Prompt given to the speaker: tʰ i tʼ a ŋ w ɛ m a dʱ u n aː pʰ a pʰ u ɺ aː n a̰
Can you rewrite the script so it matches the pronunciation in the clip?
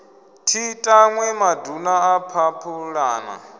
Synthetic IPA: tʰ i tʼ a ŋ w ɛ m a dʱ u n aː pʰ a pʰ u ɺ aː n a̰